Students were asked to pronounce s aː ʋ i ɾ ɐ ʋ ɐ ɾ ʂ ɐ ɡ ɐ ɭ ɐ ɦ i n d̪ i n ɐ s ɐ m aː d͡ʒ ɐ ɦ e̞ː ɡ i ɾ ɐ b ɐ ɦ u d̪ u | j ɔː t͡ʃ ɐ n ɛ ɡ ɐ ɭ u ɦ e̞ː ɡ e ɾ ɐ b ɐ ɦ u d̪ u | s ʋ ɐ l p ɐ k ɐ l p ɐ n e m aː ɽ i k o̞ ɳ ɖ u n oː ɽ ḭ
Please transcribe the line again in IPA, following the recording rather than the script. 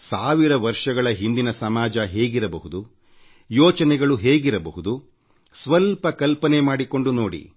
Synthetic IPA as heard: s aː ʋ i ɾ ɐ ʋ ɐ ɾ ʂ ɐ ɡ ɐ ɭ ɐ ɦ i n d̪ i n ɐ s ɐ m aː d͡ʒ ɐ ɦ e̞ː ɡ i ɾ ɐ b ɐ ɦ u d̪ u | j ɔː t͡ʃ ɐ n ɛ ɡ ɐ ɭ u ɦ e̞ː ɡ i ɾ ɐ b ɐ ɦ u d̪ u | s ʋ ɐ l p ɐ k ɐ l p ɐ n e m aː ɽ i k o̞ ɳ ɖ u n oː ɽ ḭ